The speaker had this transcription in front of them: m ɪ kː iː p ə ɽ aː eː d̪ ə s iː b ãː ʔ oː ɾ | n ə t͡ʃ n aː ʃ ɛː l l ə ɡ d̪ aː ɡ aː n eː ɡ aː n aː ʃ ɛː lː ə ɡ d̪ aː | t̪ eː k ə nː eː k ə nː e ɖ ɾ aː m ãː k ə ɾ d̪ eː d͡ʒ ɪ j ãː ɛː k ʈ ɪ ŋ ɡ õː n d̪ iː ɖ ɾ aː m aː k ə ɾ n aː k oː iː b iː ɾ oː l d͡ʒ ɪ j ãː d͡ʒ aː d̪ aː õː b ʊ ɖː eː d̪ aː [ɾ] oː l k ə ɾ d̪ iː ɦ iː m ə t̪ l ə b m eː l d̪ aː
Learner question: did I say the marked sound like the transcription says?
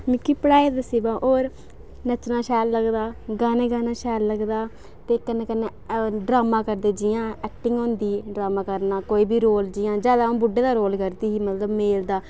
yes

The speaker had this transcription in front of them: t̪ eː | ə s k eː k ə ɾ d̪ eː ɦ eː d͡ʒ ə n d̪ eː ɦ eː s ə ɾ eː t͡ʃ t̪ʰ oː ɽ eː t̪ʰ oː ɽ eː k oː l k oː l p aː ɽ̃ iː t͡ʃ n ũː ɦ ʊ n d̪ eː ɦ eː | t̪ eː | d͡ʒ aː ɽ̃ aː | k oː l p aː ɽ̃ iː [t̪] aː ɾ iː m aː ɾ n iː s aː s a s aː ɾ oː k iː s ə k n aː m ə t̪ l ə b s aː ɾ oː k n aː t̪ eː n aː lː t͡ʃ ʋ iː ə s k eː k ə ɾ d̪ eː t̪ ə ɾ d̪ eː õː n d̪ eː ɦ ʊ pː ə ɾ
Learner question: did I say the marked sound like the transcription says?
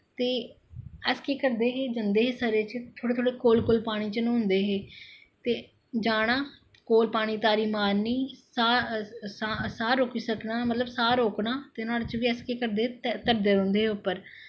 yes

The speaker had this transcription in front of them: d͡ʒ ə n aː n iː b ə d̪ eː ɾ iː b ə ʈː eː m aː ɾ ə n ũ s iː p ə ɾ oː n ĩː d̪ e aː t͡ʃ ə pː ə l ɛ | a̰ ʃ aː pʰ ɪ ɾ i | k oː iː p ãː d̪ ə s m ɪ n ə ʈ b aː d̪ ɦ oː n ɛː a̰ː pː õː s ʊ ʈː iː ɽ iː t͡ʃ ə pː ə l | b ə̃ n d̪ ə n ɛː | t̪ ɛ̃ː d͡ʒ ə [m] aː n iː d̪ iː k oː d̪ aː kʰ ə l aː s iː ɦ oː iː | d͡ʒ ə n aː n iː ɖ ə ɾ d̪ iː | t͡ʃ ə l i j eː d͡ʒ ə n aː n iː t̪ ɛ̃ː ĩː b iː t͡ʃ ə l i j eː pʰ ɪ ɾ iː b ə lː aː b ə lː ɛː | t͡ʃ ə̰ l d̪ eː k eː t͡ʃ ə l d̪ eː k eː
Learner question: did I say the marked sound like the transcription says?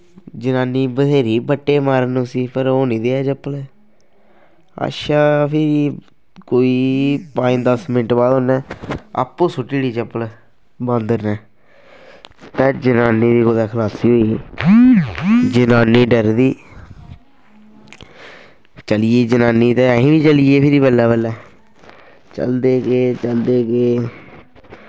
no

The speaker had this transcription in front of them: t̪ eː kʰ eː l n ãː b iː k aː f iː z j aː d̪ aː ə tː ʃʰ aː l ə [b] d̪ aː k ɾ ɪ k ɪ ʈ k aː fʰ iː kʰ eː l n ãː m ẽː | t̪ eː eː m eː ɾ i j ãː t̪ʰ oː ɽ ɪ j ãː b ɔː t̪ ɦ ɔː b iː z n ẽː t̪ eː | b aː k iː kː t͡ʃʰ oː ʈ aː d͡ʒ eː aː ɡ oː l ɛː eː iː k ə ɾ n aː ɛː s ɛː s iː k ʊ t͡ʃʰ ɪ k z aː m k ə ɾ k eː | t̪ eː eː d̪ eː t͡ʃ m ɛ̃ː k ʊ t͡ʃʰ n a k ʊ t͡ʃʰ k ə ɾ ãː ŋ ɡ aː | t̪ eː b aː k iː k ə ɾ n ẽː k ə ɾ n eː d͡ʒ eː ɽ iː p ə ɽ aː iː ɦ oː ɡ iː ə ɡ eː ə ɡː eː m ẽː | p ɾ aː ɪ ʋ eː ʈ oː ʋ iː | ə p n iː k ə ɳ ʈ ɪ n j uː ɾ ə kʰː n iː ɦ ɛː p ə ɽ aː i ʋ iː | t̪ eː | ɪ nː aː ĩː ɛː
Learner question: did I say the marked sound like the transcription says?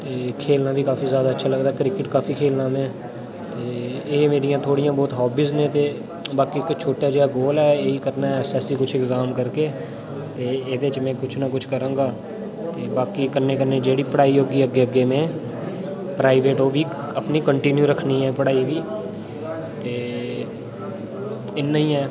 no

